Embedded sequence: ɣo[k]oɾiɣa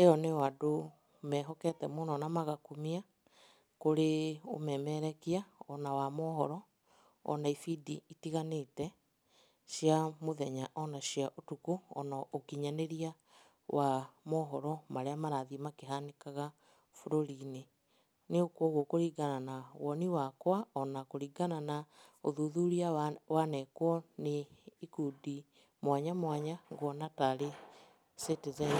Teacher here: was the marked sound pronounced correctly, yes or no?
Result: yes